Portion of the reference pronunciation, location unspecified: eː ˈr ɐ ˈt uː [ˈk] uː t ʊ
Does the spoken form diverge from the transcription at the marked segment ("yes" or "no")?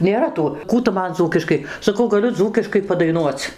no